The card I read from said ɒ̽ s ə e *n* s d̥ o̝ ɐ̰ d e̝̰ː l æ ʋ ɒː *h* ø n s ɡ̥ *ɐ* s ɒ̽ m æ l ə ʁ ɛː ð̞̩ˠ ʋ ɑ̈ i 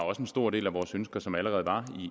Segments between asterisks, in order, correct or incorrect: correct, incorrect: s, correct

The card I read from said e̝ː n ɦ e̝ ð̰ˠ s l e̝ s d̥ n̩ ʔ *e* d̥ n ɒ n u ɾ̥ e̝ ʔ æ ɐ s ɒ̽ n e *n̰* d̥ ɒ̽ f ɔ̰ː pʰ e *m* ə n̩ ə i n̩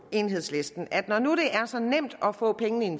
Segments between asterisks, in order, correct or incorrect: incorrect: æ, incorrect: m̰, incorrect: ŋ

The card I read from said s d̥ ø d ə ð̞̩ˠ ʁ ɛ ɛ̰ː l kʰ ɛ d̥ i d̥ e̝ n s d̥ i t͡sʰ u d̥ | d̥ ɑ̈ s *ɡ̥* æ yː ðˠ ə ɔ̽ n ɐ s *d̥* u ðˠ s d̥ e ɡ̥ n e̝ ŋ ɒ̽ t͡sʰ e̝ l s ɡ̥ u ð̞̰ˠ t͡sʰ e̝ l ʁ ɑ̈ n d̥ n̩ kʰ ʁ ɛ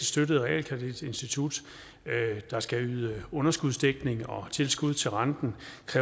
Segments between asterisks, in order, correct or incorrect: correct, incorrect: ɡ̥

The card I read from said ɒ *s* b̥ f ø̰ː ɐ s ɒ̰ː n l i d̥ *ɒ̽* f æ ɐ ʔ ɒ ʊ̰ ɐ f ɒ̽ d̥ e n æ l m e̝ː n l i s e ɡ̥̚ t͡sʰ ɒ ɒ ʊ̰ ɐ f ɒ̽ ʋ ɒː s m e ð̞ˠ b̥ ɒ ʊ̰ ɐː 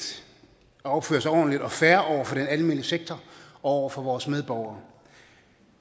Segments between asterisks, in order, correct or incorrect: incorrect: none, correct

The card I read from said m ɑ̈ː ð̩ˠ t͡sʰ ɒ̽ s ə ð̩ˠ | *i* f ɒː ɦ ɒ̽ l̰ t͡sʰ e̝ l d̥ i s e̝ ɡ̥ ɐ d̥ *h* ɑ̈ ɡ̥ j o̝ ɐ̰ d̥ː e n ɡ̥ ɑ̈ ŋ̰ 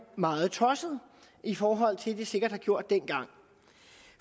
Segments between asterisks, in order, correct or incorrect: correct, correct

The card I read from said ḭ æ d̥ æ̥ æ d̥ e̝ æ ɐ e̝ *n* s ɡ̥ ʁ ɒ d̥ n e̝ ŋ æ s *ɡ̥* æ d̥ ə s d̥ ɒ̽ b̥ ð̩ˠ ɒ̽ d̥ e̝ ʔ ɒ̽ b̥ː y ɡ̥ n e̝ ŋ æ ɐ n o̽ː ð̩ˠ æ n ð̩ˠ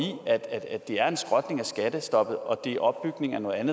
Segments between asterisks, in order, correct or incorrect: correct, correct

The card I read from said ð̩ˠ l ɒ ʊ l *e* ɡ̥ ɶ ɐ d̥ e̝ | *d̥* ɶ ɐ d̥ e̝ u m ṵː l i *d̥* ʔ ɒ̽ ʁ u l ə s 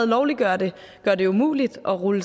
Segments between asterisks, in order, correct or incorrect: incorrect: i, incorrect: ɡ̥, correct

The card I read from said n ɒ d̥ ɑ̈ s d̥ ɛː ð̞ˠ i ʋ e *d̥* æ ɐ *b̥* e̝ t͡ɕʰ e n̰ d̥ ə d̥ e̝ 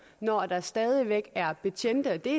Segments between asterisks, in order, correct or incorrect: incorrect: ɡ̥, correct

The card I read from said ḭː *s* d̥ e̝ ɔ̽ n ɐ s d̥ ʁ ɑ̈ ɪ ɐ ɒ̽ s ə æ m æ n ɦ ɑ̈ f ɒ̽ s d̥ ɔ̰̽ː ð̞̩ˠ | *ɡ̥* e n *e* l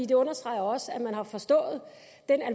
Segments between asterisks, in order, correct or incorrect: incorrect: none, incorrect: d̥, incorrect: æ

